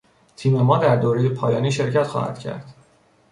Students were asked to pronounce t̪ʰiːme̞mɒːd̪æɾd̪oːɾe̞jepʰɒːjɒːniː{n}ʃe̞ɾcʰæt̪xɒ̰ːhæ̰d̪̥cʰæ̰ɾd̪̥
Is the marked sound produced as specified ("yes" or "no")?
no